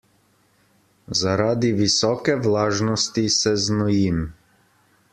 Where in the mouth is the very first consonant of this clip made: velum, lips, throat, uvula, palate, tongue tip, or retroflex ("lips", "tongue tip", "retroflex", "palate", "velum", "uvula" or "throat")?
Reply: tongue tip